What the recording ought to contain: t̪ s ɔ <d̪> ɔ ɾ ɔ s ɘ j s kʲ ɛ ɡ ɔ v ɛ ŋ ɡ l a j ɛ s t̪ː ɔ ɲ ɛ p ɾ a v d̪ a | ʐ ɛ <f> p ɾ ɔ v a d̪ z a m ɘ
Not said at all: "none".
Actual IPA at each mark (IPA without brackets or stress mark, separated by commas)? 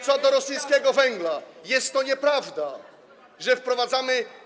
d̪, f